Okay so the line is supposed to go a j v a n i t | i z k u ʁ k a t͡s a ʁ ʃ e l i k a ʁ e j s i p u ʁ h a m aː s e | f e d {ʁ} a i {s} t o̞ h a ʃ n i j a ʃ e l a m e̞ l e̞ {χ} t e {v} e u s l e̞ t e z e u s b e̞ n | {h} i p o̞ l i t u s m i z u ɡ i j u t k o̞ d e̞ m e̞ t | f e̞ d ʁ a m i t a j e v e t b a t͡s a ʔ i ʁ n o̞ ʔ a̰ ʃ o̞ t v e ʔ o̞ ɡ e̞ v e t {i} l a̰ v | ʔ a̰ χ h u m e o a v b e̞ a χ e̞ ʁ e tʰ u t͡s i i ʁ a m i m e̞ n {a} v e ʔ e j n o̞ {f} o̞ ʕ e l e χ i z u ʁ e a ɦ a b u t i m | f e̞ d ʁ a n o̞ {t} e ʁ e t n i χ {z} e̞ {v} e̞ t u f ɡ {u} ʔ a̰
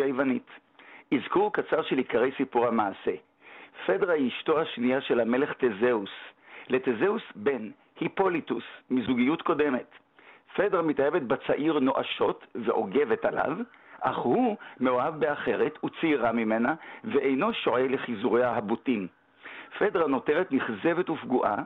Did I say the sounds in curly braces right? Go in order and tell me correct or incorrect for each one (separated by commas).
correct, incorrect, correct, incorrect, correct, incorrect, correct, incorrect, correct, correct, correct, correct